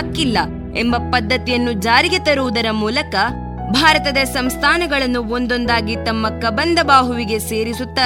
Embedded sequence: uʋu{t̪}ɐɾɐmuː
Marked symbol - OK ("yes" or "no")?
no